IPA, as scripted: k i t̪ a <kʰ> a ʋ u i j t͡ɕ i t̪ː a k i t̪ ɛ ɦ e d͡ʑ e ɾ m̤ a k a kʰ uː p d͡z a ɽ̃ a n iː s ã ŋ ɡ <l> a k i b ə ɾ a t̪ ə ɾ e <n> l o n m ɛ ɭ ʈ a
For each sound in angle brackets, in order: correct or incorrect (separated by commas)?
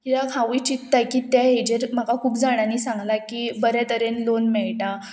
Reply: correct, correct, correct